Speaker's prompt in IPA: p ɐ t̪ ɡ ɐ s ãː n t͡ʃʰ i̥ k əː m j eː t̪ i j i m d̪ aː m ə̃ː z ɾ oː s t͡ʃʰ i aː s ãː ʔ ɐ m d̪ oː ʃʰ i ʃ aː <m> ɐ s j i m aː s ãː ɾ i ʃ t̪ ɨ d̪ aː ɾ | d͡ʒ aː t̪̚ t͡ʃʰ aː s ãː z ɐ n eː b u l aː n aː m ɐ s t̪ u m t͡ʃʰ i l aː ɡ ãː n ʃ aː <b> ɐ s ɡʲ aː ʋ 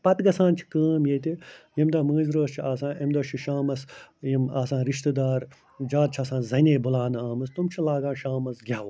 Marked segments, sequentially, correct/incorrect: correct, incorrect

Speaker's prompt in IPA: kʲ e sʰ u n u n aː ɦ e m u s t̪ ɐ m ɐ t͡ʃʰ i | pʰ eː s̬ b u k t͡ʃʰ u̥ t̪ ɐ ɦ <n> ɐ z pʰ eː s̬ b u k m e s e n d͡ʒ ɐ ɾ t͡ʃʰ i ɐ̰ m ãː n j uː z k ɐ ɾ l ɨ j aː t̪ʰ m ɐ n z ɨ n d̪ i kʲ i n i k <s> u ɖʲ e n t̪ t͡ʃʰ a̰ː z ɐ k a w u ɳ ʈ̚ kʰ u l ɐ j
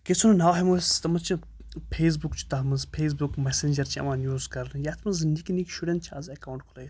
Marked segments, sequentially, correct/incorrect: incorrect, incorrect

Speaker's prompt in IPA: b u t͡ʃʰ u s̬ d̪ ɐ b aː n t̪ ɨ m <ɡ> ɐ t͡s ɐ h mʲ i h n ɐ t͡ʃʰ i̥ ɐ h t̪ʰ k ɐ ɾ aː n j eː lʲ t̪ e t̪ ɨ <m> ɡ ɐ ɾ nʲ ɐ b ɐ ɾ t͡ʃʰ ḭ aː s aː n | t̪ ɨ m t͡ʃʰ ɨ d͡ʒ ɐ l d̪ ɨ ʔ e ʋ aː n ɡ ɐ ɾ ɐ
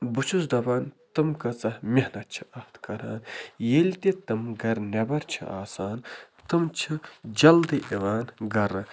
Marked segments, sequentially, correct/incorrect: incorrect, correct

